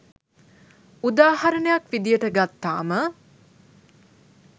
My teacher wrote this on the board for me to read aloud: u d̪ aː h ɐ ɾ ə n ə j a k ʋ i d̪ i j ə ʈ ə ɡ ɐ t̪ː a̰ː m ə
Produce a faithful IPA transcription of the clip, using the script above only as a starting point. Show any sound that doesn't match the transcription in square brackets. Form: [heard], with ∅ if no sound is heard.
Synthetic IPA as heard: u d̪ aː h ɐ ɾ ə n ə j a k ʋ i d̪ i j ə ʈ ə ɡ [a] t̪ː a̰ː m ə